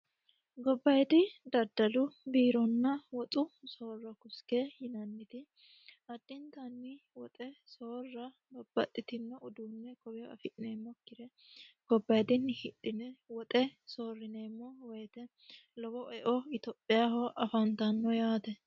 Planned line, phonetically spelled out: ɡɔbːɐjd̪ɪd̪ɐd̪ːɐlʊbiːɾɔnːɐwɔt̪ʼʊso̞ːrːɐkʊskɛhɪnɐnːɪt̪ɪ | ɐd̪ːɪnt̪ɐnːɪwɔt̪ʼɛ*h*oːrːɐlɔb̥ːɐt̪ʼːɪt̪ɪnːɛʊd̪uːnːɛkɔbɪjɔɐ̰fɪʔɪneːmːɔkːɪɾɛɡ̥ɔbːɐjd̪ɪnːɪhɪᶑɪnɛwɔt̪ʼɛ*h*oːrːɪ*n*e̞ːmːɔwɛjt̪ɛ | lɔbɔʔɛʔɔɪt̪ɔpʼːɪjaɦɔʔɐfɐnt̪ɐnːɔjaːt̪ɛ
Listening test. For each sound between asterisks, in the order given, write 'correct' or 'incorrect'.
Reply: incorrect, incorrect, correct

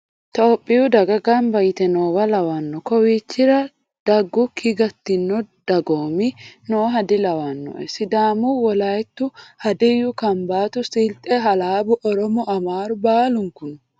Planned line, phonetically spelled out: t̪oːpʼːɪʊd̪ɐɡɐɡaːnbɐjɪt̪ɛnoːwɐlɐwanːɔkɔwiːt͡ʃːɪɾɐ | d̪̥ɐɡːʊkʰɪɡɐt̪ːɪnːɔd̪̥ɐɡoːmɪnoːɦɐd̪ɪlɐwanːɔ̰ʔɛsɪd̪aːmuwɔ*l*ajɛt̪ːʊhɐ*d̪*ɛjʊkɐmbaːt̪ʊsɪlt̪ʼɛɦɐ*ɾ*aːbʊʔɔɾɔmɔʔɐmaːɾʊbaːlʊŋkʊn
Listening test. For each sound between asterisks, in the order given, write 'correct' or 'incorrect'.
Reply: correct, correct, incorrect

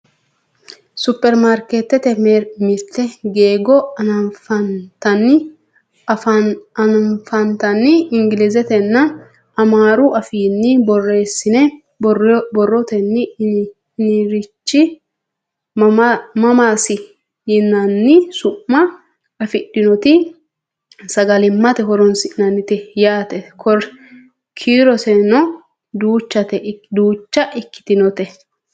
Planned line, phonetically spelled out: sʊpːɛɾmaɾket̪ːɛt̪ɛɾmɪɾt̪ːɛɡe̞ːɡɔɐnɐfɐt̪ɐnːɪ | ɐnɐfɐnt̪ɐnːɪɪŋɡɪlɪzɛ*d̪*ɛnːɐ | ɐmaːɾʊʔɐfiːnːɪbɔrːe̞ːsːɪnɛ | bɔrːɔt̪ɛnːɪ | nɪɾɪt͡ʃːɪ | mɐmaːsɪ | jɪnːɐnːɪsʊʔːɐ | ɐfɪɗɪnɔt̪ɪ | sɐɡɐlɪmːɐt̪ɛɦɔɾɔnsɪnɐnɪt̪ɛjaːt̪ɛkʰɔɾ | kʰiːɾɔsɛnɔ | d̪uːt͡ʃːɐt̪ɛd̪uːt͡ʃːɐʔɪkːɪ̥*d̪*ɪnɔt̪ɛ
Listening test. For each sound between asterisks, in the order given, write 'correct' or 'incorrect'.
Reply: incorrect, incorrect

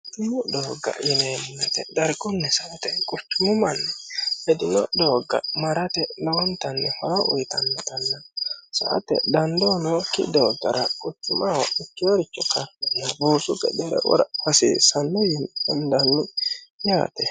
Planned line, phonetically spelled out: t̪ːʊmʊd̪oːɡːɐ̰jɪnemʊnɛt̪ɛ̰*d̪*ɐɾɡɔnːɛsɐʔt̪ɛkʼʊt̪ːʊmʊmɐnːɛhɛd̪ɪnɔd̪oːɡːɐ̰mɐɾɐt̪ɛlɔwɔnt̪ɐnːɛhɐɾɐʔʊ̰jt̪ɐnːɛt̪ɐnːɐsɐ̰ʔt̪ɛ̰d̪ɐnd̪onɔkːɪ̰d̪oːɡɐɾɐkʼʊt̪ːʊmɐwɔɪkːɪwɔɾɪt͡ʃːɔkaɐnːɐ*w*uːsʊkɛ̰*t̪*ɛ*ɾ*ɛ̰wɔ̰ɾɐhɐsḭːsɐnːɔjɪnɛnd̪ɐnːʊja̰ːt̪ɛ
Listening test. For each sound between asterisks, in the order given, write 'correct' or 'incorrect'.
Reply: correct, incorrect, incorrect, correct

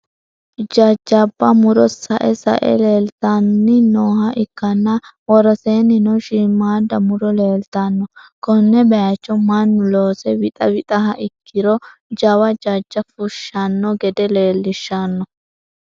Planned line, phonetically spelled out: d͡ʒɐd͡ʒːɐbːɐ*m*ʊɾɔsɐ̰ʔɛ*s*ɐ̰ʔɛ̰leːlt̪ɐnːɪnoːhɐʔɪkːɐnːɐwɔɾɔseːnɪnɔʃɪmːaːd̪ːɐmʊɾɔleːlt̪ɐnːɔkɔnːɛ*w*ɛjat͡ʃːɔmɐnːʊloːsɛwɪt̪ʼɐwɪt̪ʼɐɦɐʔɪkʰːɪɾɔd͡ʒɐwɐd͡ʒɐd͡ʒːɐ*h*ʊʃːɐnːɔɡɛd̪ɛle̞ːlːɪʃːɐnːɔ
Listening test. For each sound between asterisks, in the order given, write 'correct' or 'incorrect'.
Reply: correct, correct, incorrect, incorrect

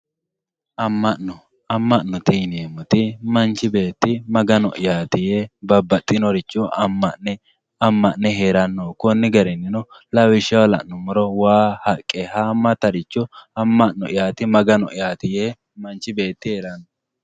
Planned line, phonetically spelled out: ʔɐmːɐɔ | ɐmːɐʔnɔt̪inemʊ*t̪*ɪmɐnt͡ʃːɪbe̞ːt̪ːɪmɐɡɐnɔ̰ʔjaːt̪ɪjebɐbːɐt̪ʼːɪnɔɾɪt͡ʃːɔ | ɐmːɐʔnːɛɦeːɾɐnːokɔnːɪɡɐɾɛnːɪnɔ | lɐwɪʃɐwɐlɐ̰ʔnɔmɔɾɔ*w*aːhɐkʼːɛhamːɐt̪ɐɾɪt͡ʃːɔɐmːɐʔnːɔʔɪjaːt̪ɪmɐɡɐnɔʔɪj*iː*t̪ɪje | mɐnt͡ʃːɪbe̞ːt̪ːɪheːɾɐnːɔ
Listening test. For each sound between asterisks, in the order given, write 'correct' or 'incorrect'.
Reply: correct, correct, incorrect

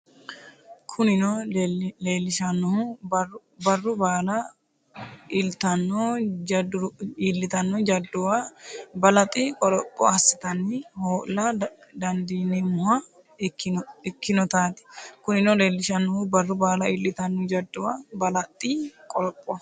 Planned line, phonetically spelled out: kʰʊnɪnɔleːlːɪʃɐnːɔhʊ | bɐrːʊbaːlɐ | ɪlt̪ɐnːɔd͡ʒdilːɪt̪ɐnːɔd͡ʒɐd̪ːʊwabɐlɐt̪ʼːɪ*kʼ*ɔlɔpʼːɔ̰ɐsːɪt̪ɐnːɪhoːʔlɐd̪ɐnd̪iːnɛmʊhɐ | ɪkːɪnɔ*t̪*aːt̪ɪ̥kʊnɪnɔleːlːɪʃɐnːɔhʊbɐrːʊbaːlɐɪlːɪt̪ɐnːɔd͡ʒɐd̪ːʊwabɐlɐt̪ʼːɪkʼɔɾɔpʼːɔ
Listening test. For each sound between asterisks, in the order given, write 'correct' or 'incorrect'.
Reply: correct, correct

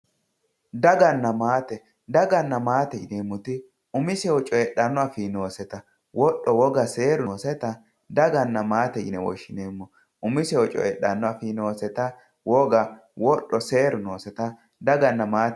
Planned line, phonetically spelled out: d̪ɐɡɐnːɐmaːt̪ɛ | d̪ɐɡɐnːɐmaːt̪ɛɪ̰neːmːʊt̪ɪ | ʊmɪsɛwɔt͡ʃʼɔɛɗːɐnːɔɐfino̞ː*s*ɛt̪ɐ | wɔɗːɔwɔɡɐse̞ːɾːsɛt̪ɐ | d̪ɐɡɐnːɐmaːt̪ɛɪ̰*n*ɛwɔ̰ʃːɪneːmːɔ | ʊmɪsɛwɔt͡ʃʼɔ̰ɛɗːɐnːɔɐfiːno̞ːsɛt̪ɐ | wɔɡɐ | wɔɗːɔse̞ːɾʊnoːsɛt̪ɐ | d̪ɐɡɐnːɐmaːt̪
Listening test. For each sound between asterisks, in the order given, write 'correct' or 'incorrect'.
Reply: correct, correct

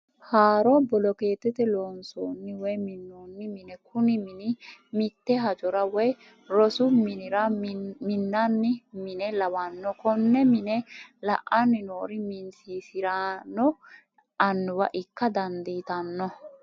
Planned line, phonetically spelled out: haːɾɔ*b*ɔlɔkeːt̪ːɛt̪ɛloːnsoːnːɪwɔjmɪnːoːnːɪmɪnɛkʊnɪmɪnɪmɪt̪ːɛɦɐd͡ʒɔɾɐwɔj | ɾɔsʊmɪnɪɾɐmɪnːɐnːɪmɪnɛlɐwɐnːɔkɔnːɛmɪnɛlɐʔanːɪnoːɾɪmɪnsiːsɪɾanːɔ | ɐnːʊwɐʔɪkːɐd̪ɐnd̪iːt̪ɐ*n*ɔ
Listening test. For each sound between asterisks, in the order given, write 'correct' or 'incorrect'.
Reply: correct, incorrect

